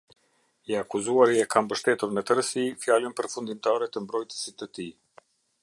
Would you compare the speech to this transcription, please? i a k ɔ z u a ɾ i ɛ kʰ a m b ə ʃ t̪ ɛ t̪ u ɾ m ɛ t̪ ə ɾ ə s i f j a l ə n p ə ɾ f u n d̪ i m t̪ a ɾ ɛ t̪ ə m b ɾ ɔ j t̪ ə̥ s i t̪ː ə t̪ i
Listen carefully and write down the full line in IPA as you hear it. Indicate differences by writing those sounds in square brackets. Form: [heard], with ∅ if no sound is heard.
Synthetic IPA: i a k [u] z u a ɾ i ɛ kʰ a m b ə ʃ t̪ ɛ t̪ u ɾ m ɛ t̪ ə ɾ ə s i f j a l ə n p ə ɾ f u n d̪ i m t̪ a ɾ ɛ t̪ ə m b ɾ ɔ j t̪ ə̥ s i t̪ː ə t̪ i